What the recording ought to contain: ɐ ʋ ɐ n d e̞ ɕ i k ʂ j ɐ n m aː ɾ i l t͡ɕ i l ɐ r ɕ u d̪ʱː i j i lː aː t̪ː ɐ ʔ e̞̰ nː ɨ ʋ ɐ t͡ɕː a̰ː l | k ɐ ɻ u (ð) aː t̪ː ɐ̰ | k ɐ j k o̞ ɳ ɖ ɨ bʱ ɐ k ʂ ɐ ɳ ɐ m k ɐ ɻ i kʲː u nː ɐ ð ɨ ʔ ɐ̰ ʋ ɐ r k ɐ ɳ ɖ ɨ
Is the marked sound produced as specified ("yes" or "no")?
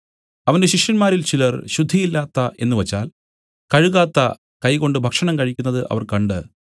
no